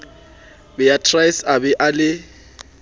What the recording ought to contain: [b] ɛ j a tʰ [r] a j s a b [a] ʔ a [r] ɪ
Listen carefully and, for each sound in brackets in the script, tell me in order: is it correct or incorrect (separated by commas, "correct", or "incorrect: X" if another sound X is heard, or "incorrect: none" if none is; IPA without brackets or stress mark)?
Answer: correct, correct, incorrect: ɛ, incorrect: l